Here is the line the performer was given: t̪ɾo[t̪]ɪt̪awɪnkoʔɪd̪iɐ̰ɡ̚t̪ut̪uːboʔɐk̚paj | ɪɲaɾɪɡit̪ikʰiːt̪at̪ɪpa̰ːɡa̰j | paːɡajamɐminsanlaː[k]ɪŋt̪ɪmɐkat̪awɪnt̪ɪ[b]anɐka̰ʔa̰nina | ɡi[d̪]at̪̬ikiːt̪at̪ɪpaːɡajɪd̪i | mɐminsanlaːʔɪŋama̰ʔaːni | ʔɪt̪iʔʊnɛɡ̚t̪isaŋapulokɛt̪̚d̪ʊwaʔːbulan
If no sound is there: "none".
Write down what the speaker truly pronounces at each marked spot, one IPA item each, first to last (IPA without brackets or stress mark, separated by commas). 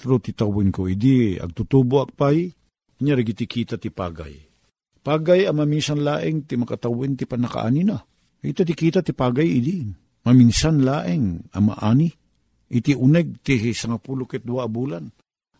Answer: t̪, ʔ, p, t̪